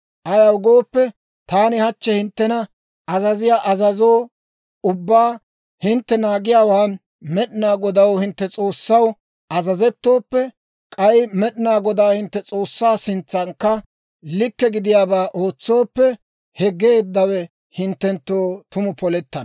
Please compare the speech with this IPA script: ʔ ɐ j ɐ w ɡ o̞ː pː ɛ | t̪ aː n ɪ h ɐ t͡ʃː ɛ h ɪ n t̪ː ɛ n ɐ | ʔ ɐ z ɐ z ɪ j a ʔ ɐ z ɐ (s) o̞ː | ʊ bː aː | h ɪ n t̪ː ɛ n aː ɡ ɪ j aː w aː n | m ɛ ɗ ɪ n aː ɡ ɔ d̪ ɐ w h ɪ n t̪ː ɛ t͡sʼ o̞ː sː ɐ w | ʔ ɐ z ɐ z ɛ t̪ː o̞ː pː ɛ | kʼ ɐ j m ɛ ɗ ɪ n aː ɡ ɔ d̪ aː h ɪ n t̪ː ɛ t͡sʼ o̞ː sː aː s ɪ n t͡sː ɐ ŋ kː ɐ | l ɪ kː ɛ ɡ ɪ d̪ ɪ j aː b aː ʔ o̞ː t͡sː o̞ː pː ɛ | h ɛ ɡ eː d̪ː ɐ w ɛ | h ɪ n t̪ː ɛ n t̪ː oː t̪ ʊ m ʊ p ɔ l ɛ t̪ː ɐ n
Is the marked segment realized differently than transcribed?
yes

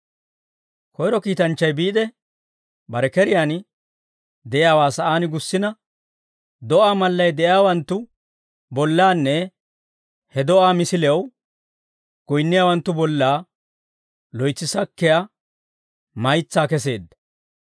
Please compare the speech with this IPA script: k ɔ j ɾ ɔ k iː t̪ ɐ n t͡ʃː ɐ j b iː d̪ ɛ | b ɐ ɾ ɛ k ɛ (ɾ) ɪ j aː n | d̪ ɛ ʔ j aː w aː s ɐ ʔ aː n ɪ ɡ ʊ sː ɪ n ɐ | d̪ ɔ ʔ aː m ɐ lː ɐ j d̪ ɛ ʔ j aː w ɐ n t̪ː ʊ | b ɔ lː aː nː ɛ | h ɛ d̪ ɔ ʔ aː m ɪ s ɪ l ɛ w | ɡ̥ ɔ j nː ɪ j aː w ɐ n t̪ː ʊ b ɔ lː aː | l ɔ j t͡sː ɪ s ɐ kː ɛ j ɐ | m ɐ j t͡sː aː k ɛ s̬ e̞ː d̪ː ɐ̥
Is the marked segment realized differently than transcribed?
no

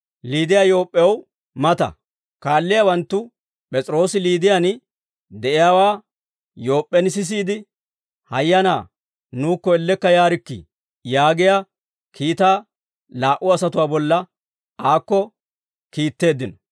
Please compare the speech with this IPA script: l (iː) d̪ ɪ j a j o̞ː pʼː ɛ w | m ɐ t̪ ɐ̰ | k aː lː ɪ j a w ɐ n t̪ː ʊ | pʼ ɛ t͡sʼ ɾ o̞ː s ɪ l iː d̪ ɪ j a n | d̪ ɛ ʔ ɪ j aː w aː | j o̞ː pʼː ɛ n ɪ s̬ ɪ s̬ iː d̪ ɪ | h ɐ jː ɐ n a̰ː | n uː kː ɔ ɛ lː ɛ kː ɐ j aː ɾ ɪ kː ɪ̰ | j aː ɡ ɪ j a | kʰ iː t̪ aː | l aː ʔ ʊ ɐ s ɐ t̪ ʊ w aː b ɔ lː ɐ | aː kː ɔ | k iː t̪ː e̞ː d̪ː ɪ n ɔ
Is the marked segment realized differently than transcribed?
no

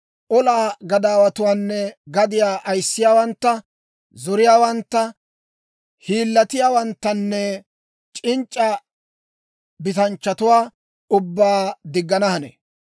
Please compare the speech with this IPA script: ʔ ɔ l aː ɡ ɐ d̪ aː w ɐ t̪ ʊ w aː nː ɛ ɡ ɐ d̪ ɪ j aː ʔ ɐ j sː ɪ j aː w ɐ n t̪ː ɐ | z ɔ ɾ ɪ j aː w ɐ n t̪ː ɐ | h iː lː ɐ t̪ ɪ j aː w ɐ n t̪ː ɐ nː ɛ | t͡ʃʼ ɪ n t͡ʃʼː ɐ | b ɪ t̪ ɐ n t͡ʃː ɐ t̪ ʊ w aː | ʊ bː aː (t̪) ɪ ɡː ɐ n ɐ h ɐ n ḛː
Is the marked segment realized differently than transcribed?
yes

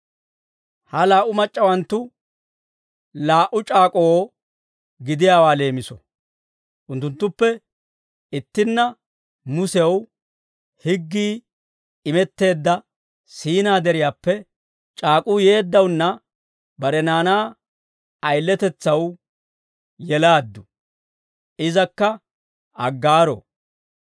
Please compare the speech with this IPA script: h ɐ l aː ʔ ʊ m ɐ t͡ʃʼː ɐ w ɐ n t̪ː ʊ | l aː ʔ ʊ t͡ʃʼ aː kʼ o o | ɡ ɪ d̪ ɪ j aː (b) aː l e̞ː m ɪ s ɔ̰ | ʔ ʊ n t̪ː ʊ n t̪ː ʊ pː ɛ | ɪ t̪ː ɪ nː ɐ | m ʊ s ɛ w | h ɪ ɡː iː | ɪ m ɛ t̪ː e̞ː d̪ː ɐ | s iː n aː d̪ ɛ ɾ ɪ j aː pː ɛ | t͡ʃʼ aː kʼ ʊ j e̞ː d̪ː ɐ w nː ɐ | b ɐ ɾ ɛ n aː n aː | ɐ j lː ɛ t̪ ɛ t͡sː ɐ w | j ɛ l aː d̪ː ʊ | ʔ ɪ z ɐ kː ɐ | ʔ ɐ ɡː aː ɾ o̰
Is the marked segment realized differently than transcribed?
yes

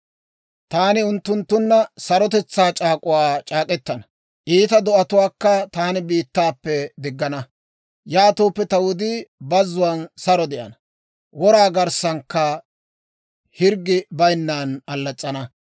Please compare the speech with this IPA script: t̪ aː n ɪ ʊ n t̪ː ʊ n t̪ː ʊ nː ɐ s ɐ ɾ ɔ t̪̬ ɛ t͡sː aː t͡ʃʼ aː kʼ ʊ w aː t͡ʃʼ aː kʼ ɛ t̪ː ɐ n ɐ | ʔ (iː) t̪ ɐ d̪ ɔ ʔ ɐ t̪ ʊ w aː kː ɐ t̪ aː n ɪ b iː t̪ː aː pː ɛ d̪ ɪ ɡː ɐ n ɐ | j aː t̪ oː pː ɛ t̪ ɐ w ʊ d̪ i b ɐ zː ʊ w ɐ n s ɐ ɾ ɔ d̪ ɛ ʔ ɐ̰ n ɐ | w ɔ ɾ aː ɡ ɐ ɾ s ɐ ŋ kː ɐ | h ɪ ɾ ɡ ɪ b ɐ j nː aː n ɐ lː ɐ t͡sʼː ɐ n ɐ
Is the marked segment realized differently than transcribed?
no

